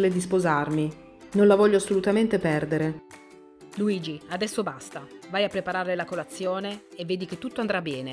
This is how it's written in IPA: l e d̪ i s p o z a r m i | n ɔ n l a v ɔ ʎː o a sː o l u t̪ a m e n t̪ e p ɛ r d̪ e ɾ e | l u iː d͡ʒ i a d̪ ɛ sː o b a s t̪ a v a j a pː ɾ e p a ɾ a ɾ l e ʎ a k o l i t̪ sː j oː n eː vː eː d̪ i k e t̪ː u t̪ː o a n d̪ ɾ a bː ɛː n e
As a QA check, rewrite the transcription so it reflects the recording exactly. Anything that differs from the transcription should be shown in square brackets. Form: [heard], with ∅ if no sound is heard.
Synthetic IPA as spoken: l e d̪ i s p o z a r m i | n [o] n l a v ɔ ʎː o a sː o l u t̪ a m e n t̪ e p ɛ r d̪ e ɾ e | l u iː d͡ʒ i a d̪ ɛ sː o b a s t̪ a v a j a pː ɾ e p a ɾ a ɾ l e [l] a k o l [a] t̪ sː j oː n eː vː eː d̪ i k e t̪ː u t̪ː o a n d̪ ɾ a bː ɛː n e

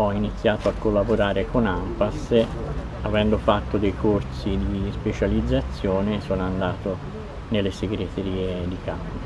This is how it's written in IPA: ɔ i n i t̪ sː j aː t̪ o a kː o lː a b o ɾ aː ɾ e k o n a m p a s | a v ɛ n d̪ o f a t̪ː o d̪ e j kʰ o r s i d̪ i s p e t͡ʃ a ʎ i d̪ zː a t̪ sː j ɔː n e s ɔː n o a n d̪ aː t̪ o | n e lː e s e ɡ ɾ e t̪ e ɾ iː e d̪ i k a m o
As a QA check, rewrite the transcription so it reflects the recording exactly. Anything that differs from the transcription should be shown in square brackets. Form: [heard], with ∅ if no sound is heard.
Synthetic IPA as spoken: ɔ i n i t̪ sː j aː t̪ o a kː o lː a b o ɾ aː ɾ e k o n a m p a s | a v ɛ n d̪ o f a t̪ː o d̪ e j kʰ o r s i d̪ i s p e t͡ʃ a [l] i d̪ zː a t̪ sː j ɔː n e s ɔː n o a n d̪ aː t̪ o | n e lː e s e ɡ ɾ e t̪ e ɾ iː e d̪ i k a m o

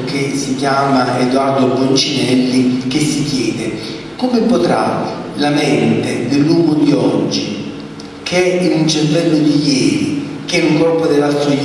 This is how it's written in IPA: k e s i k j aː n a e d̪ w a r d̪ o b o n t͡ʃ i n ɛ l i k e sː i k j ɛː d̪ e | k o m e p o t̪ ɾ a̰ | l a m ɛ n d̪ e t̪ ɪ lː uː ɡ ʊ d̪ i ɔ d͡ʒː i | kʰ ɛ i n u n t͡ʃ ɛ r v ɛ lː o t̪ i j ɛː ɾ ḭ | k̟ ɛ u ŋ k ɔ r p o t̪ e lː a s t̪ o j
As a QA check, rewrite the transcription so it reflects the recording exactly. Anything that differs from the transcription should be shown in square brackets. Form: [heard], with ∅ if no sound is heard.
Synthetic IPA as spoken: k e s i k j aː [m] a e d̪ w a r d̪ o b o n t͡ʃ i n ɛ [lː] i k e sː i k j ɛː d̪ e | k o m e p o t̪ ɾ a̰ | l a m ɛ n [t̪] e [d̪] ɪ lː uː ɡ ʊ d̪ i ɔ d͡ʒː i | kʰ ɛ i n u n t͡ʃ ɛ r v ɛ lː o [d̪] i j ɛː ɾ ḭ | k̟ ɛ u ŋ k ɔ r p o [d̪] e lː a s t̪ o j

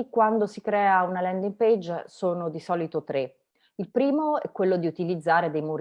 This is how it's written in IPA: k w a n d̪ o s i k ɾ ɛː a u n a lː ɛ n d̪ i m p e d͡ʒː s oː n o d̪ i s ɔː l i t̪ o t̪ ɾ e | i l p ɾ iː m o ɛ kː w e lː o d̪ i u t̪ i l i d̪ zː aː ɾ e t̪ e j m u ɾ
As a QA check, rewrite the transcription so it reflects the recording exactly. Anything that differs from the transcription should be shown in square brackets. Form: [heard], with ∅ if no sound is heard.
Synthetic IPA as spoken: k w a n d̪ o s i k ɾ ɛː a u n a [l] ɛ n d̪ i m p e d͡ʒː s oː n o d̪ i s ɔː l i t̪ o t̪ ɾ e | i l p ɾ iː m o ɛ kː w e lː o d̪ i u t̪ i l i d̪ zː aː ɾ e [d̪] e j m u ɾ

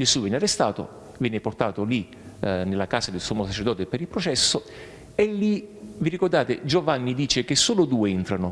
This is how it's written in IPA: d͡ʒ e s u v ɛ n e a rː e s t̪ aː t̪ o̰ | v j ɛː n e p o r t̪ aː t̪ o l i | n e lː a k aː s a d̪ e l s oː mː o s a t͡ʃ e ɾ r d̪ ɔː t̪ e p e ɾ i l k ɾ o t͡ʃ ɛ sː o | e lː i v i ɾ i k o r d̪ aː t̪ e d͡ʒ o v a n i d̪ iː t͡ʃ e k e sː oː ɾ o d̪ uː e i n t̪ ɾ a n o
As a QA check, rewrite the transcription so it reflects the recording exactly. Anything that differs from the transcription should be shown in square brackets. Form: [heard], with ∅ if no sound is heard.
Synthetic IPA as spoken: d͡ʒ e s u v ɛ n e a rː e s t̪ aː t̪ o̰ | v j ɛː n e p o r t̪ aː t̪ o l i | n e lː a k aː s a d̪ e l s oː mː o s a t͡ʃ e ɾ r d̪ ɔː t̪ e p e ɾ i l [p] ɾ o t͡ʃ ɛ sː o | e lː i v i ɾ i k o r d̪ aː t̪ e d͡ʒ o v a [nː] i d̪ iː t͡ʃ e k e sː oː [l] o d̪ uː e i n t̪ ɾ a n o

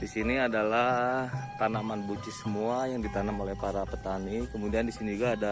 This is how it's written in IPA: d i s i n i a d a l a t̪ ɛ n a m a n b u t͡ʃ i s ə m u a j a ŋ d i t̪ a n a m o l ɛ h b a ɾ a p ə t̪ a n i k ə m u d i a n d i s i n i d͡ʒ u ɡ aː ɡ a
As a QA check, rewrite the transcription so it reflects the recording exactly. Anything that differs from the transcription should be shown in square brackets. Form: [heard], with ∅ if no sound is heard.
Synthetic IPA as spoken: d i s i n i a d a l a t̪ [a] n a m a n b u t͡ʃ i s ə m u a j a ŋ d i t̪ a n a m o l ɛ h [p] a ɾ a p ə t̪ a n i k ə m u d i a n d i s i n i d͡ʒ u ɡ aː [d] a

